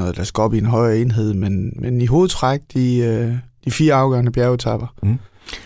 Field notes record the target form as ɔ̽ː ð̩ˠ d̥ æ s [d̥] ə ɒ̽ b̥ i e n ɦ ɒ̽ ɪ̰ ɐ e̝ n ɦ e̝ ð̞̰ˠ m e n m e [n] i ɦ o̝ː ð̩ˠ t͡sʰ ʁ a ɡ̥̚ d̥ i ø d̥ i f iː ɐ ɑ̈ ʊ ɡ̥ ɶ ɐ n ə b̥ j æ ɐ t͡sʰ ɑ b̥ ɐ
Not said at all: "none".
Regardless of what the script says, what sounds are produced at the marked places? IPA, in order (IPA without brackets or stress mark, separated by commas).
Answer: ɡ̥, n